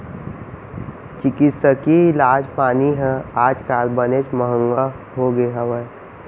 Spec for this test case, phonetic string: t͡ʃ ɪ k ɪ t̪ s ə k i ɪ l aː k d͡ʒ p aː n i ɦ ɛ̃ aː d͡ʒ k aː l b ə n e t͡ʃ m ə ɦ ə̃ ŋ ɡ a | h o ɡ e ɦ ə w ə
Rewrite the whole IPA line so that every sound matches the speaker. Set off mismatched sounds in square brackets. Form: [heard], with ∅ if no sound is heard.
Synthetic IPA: t͡ʃ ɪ k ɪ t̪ s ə k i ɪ l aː [∅] d͡ʒ p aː n i ɦ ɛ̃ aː d͡ʒ k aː l b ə n e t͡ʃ m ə ɦ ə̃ ŋ ɡ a | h o ɡ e ɦ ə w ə